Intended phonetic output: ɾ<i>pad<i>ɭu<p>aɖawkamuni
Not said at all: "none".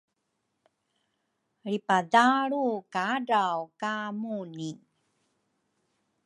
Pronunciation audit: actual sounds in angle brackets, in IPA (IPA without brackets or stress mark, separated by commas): i, a, k